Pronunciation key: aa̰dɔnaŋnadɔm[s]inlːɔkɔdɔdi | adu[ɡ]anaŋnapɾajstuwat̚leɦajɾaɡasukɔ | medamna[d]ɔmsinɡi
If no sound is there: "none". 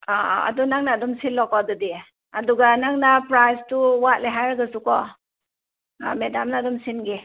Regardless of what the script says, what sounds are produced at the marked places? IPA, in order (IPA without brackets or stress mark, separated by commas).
s, ɡ, d